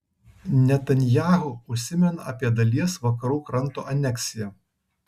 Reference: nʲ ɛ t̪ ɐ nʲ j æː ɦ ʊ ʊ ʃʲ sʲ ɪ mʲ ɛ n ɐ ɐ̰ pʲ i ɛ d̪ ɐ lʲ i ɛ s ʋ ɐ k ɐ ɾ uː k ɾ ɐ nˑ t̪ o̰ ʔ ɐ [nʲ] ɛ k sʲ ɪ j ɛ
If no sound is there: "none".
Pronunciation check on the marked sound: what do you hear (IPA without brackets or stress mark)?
nʲ